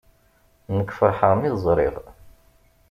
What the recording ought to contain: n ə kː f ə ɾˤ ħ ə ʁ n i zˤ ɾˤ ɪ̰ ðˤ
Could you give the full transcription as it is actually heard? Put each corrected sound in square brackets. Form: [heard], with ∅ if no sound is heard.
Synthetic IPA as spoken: n ə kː f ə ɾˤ ħ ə ʁ [m] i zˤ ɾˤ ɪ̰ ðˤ

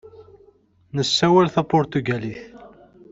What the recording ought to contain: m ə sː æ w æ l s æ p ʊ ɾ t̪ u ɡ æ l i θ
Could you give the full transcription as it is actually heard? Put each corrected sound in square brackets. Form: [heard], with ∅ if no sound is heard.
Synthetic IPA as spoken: [n] ə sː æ w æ l [θ] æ p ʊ ɾ t̪ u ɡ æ l i θ

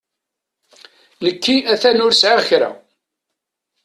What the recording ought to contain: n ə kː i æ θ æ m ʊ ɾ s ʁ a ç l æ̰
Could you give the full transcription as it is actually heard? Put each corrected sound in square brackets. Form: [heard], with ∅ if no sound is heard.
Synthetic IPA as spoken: n ə kː i æ θ æ [n] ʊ ɾ s [ʕ] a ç [ɾ] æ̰

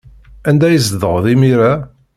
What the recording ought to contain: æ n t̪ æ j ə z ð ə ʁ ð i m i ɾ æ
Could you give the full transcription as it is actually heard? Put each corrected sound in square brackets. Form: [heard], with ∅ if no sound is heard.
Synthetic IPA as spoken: æ n [d̪] æ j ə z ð ə ʁ ð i m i ɾ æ

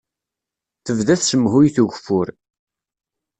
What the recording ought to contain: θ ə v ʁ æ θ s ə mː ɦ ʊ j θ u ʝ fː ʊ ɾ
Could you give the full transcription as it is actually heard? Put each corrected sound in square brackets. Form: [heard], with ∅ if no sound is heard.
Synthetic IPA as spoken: θ ə v [ð] æ θ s ə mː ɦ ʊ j θ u ʝ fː ʊ ɾ

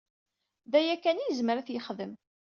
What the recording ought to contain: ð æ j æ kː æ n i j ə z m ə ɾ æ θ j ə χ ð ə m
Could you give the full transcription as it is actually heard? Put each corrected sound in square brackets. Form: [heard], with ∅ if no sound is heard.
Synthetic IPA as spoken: ð æ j æ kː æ n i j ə z m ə ɾ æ θ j ə χ ð ə m

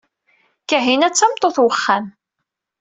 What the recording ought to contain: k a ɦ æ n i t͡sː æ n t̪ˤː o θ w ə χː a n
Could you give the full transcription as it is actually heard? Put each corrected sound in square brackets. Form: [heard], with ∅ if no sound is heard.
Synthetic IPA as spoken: k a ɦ [i] n [æ] t͡sː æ [m] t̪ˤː o θ w ə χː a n

